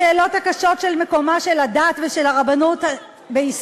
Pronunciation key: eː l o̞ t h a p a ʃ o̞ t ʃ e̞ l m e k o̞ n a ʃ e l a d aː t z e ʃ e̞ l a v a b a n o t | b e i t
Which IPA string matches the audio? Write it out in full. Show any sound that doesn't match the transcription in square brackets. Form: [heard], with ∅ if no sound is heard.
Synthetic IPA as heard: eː l o̞ t h a [k] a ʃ o̞ t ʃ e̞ l m e k o̞ [m] a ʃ e l a d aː t [v] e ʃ e̞ l a [ʁ] a b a n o t | b e i [s]